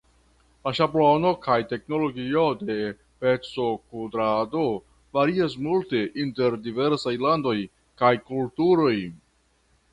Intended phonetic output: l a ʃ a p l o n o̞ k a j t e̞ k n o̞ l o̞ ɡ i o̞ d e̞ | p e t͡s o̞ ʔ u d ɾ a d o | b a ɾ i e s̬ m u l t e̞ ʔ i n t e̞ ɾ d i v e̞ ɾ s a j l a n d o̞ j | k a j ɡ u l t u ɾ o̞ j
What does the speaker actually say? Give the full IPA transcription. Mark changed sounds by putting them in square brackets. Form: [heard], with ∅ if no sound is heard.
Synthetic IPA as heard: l a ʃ a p l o n o̞ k a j t e̞ k n o̞ l o̞ ɡ i o̞ d e̞ | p e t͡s o̞ [k] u d ɾ a d o | [v] a ɾ i [a] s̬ m u l t e̞ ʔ i n t e̞ ɾ d i v e̞ ɾ s a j l a n d o̞ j | k a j [k] u l t u ɾ o̞ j

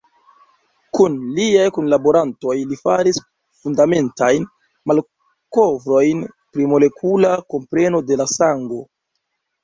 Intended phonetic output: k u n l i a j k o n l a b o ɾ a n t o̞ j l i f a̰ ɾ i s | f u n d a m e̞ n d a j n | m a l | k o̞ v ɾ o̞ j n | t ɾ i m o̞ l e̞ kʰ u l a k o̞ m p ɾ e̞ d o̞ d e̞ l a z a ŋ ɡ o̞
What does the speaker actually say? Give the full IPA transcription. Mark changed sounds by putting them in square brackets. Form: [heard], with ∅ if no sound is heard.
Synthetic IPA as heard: k u n l i a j k [u] n l a b o ɾ a n t o̞ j l i f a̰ ɾ i s | f u n d a m e̞ n [t] a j n | m a l | k o̞ v ɾ o̞ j n | [p] ɾ i m o̞ l e̞ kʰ u l a k o̞ m p ɾ e̞ [n] o̞ d e̞ l a [s] a ŋ ɡ o̞

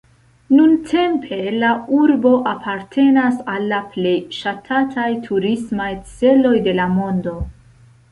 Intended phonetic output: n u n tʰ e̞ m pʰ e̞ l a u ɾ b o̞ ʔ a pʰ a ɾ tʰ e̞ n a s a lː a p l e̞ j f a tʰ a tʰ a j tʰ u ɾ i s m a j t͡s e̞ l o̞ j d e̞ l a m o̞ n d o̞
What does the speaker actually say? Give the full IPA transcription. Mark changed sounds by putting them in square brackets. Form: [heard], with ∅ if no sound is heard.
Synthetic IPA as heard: n u n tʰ e̞ m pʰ e̞ l a u ɾ b o̞ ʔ a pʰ a ɾ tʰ e̞ n a s a lː a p l e̞ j [ʃ] a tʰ a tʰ a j tʰ u ɾ i s m a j t͡s e̞ l o̞ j d e̞ l a m o̞ n d o̞

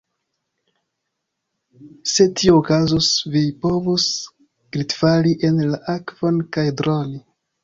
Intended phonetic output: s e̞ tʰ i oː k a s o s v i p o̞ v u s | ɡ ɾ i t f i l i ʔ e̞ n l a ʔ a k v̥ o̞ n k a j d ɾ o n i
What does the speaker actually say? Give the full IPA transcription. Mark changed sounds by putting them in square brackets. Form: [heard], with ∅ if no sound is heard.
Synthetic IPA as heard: s e̞ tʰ i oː k a [z] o s v i p o̞ v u s | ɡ ɾ i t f [a] l i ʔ e̞ n l a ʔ a k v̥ o̞ n k a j d ɾ o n i

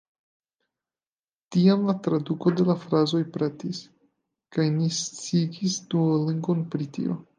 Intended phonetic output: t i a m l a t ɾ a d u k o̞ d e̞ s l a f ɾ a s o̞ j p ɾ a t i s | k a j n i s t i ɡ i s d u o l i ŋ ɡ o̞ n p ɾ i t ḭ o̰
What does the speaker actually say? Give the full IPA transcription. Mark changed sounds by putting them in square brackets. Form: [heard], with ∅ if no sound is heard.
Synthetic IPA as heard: t i a m l a t ɾ a d u k o̞ d e̞ [∅] l a f ɾ a [z] o̞ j p ɾ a t i s | k a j n i s [t͡s] i ɡ i s d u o l i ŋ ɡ o̞ n p ɾ i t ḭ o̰

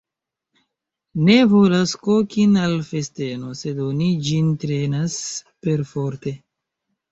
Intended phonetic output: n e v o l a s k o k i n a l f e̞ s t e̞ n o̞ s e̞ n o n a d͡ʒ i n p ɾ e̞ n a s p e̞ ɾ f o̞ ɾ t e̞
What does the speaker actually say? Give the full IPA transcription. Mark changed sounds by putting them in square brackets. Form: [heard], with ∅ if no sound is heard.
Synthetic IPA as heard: n e v o l a s k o k i n a l f e̞ s t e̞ n o̞ s e̞ [d] o n [i] d͡ʒ i n [t] ɾ e̞ n a s p e̞ ɾ f o̞ ɾ t e̞

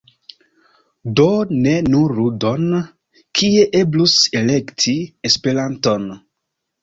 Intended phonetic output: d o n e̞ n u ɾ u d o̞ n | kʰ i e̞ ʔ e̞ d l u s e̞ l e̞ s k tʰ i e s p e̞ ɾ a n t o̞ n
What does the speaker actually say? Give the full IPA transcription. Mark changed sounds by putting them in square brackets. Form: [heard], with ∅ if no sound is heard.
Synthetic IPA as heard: d o n e̞ n u ɾ u d o̞ n | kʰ i e̞ ʔ e̞ [b] l u s e̞ l e̞ [∅] k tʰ i e s p e̞ ɾ a n t o̞ n

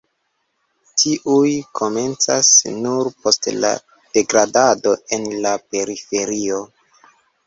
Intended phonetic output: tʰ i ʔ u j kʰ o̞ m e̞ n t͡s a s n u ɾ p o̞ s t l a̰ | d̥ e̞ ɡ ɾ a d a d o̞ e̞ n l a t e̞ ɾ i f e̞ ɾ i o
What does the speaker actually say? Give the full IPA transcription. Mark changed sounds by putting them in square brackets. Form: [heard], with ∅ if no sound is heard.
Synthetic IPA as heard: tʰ i ʔ u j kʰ o̞ m e̞ n t͡s a s n u ɾ p o̞ s t l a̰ | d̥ e̞ ɡ ɾ a d a d o̞ e̞ n l a [p] e̞ ɾ i f e̞ ɾ i o

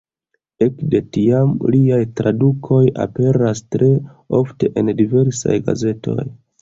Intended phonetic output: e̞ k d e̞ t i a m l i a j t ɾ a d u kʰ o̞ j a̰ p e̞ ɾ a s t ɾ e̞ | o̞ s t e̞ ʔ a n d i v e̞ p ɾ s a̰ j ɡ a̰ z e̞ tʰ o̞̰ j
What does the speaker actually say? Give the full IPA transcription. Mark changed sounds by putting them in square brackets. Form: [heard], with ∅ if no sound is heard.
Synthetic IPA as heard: e̞ k d e̞ t i a m l i a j t ɾ a d u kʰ o̞ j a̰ p e̞ ɾ a s t ɾ e̞ | o̞ [f] t e̞ ʔ [e] n d i v e̞ [∅] ɾ s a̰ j ɡ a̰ z e̞ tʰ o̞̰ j

